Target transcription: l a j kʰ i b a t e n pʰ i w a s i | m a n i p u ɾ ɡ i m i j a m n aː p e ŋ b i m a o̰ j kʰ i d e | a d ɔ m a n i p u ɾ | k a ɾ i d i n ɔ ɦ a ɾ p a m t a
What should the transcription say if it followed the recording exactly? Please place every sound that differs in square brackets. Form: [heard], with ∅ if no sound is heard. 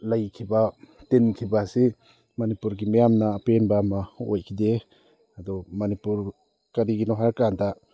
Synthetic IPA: l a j kʰ i b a t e n [kʰ] i [b] a s i | m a n i p u ɾ ɡ i m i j a m n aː p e [n] b [a] m a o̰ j kʰ i d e | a d ɔ m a n i p u ɾ | k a ɾ i [ɡ] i n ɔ ɦ a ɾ [k] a [n] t a